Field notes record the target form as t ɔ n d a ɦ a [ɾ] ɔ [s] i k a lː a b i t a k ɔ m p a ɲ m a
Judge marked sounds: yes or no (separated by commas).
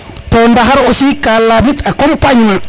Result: yes, yes